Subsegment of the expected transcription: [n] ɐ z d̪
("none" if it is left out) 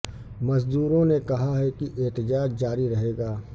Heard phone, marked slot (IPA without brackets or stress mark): m